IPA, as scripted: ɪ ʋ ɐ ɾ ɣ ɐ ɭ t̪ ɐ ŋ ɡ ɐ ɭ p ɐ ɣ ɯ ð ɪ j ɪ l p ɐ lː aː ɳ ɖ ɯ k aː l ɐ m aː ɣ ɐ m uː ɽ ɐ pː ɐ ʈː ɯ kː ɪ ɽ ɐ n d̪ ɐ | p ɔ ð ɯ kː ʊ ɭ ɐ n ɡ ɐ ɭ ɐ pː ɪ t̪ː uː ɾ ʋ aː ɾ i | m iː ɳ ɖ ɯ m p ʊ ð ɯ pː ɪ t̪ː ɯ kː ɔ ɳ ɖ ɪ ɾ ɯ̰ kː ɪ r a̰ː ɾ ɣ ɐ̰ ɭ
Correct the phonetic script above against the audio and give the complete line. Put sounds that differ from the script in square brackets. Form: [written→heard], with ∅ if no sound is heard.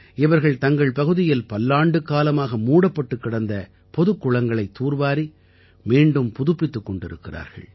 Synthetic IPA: ɪ ʋ ɐ ɾ ɣ ɐ ɭ t̪ ɐ ŋ ɡ ɐ ɭ p ɐ ɣ ɯ ð ɪ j ɪ l p ɐ lː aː ɳ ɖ ɯ k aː l ɐ m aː ɣ ɐ m uː ɽ ɐ pː ɐ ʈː ɯ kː ɪ ɽ ɐ n d̪ ɐ | p ɔ ð ɯ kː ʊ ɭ ɐ [n→ŋ] ɡ ɐ ɭ ɐ [pː→∅] ɪ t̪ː uː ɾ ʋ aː ɾ i | m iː ɳ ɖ ɯ m p ʊ ð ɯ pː ɪ t̪ː ɯ kː ɔ ɳ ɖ ɪ ɾ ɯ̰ kː ɪ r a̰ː ɾ ɣ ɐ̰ ɭ